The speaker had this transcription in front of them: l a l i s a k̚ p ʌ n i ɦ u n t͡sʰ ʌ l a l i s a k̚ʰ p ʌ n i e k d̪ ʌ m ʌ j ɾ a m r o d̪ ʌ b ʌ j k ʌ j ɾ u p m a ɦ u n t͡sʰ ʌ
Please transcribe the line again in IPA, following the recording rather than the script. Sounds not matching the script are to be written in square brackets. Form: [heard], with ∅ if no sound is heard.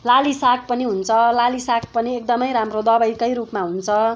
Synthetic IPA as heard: l a l i s a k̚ p ʌ n i ɦ u n t͡sʰ ʌ l a l i s a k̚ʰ p ʌ n i e k d̪ ʌ m ʌ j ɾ a m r o d̪ ʌ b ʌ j k ʌ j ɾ u p m a ɦ u n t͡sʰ ʌ